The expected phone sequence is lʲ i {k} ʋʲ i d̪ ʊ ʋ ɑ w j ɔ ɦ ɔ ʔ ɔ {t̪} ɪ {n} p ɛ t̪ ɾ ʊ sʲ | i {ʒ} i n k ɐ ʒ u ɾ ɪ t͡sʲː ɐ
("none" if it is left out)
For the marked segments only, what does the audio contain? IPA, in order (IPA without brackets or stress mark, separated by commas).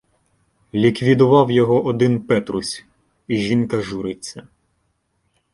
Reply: k, d̪, n, ʒ